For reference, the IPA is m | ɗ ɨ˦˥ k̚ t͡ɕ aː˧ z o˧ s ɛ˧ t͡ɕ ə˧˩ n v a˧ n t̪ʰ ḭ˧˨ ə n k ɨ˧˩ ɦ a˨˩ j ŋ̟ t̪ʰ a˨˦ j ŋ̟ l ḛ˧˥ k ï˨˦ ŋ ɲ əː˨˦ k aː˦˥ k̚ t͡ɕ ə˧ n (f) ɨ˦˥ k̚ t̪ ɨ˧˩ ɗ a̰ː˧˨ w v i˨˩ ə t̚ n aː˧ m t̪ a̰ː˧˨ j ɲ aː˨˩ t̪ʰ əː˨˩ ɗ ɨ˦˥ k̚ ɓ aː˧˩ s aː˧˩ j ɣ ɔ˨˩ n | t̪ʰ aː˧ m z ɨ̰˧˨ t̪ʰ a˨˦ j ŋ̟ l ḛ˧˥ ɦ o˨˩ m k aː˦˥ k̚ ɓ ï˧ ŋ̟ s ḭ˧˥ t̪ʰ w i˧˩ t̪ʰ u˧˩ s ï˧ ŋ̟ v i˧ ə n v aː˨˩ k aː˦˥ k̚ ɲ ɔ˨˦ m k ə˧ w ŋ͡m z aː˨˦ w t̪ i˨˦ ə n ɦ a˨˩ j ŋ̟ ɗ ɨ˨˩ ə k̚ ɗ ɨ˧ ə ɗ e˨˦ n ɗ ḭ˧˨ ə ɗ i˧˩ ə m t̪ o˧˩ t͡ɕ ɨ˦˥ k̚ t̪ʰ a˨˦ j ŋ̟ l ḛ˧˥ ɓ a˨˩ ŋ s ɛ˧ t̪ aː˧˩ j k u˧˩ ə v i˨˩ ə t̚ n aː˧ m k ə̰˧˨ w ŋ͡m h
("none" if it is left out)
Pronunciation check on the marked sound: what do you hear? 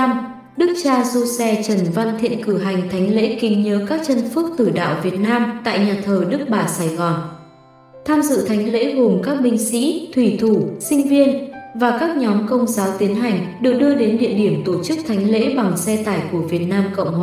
f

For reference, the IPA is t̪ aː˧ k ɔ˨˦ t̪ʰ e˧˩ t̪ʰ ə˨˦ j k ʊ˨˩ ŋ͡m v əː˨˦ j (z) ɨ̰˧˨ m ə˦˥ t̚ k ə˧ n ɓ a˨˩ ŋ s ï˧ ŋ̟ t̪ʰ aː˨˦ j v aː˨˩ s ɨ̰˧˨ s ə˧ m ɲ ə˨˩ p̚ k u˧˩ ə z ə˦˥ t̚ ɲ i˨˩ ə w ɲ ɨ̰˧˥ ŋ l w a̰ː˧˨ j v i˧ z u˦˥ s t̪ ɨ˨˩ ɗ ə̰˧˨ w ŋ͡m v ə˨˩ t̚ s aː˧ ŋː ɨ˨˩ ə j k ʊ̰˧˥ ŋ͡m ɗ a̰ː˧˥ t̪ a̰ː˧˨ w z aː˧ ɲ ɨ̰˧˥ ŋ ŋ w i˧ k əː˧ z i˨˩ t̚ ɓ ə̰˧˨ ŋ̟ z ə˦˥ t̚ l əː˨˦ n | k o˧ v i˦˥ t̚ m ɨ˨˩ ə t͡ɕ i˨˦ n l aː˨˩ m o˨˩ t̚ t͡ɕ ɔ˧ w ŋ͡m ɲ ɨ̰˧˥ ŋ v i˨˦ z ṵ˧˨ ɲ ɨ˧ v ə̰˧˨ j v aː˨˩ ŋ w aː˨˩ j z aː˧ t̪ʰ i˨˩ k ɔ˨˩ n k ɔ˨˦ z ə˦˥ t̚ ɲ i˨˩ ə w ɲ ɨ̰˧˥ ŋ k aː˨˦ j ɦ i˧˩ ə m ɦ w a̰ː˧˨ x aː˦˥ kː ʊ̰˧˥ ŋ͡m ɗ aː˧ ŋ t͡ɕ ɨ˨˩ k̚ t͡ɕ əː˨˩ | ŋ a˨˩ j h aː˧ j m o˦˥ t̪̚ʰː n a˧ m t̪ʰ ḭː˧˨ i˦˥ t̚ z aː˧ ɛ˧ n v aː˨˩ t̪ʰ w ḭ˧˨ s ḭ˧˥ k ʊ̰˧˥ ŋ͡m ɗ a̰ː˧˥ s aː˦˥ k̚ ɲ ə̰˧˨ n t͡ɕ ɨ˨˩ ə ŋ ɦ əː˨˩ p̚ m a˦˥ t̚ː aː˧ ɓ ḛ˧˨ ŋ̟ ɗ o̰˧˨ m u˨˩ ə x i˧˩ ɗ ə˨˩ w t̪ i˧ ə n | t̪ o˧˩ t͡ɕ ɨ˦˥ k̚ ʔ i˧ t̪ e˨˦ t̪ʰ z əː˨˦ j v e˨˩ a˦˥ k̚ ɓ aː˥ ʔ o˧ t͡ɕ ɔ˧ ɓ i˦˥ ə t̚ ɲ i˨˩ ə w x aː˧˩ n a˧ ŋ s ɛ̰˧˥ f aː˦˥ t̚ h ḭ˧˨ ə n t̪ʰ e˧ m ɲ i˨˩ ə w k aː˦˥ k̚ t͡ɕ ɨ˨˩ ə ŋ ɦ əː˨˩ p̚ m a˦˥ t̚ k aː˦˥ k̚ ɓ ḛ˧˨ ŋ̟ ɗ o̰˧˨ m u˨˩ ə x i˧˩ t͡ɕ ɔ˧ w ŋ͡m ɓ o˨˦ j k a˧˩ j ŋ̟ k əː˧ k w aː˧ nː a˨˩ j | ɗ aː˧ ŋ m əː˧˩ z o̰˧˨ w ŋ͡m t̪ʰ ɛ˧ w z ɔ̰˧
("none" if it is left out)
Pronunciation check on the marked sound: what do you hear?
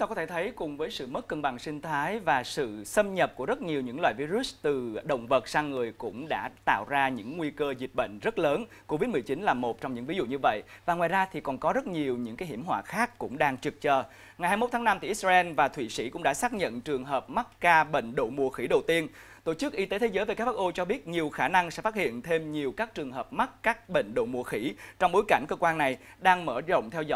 s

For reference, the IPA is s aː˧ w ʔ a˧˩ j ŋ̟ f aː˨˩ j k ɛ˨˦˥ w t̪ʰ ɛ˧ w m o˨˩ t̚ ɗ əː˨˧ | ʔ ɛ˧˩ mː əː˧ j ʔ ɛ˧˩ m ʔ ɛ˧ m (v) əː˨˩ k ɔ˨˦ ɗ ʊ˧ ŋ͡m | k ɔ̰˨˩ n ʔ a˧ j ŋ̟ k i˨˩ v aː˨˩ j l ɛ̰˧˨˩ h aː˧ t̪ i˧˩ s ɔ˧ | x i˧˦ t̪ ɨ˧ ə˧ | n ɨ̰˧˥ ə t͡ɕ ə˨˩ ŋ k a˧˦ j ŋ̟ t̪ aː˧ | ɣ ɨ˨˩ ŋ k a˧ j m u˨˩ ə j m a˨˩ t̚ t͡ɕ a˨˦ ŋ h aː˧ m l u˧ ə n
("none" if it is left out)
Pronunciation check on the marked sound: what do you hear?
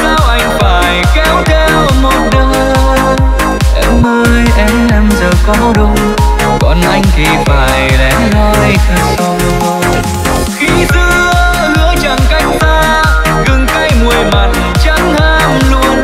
z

